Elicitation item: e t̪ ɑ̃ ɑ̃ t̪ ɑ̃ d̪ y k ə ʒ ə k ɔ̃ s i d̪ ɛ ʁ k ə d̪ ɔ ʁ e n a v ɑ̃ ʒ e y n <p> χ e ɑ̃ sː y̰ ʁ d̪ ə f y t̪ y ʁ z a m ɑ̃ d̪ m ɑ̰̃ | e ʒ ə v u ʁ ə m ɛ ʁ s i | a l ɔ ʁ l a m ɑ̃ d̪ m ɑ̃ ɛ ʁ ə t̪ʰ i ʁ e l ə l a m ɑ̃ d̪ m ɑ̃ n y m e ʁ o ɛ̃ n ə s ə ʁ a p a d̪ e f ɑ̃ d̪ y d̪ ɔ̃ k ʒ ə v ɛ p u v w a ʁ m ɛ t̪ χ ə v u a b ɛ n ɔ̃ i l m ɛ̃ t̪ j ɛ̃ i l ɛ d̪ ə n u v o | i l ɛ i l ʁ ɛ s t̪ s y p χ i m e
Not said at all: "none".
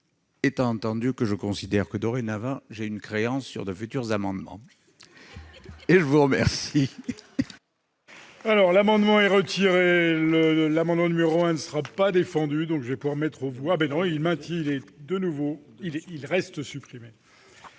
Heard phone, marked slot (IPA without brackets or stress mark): k